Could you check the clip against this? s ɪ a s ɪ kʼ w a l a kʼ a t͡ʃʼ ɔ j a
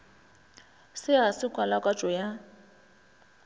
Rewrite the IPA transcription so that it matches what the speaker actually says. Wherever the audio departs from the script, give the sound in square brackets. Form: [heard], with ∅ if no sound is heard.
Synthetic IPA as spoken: s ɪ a s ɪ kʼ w a l a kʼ a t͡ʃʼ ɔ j a